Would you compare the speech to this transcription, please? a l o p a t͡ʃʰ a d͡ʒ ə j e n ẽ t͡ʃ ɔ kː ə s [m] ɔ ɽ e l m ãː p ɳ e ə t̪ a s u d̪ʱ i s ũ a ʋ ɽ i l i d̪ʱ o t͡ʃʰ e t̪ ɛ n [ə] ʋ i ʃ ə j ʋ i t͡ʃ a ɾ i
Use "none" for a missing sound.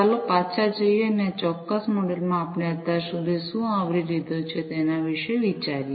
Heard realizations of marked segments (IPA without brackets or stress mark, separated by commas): m, a